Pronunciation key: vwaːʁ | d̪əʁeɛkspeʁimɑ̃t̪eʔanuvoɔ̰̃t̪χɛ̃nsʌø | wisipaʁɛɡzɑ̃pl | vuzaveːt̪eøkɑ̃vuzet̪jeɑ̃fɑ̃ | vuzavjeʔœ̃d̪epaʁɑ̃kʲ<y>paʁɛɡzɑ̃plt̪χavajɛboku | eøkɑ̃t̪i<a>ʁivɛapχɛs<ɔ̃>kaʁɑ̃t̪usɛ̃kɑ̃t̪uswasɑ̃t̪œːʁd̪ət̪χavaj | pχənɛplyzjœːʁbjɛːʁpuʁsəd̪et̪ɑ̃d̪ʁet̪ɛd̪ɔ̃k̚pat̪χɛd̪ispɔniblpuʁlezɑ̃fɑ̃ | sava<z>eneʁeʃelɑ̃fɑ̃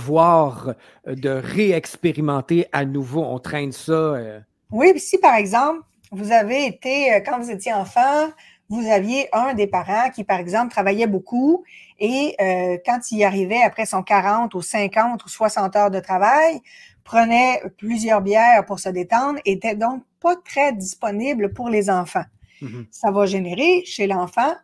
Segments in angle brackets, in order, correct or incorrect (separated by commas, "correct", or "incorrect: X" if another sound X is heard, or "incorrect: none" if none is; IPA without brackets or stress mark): incorrect: i, correct, correct, incorrect: ʒ